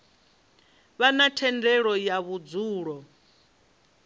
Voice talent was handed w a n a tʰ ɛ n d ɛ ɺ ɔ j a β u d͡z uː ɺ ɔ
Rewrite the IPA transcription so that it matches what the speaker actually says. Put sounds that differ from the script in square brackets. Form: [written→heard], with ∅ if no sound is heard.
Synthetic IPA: [w→β] a n a tʰ ɛ n d ɛ ɺ ɔ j a β u d͡z uː ɺ ɔ